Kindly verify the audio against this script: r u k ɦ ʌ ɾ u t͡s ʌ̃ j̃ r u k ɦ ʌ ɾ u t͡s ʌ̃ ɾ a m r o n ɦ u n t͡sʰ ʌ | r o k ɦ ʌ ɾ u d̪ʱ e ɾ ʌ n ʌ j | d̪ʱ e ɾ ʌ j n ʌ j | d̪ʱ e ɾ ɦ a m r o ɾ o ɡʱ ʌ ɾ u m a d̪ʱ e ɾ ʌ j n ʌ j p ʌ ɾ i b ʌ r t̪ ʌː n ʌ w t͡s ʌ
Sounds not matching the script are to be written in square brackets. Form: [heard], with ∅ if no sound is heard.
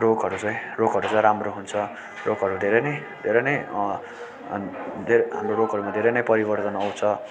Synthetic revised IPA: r [o] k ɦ ʌ ɾ u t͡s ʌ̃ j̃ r [o] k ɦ ʌ ɾ u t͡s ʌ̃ ɾ a m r o [∅] ɦ u n t͡sʰ ʌ | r o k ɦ ʌ ɾ u d̪ʱ e ɾ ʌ n ʌ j | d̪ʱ e ɾ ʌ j n ʌ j | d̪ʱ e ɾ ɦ a m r o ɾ o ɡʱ ʌ ɾ u m a d̪ʱ e ɾ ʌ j n ʌ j p ʌ ɾ i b ʌ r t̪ [ʌ] n ʌ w [t͡sʰ] ʌ